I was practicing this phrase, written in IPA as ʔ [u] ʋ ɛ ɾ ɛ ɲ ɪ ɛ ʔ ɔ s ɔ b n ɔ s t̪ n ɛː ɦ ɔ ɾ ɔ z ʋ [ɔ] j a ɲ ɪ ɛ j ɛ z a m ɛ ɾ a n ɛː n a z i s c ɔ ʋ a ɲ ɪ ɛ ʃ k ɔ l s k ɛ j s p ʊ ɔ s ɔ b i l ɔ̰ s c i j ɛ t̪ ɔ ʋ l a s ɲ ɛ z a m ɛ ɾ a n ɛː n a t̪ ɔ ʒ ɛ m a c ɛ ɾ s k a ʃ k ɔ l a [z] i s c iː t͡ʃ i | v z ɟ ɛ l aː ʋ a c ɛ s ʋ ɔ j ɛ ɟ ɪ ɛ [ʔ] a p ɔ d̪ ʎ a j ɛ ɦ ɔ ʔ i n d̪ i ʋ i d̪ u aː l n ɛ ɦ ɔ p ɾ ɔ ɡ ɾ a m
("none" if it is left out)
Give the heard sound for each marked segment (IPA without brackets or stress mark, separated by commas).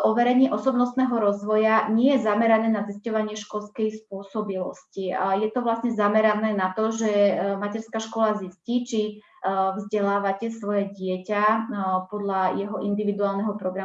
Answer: ɔ, ɔ, z, c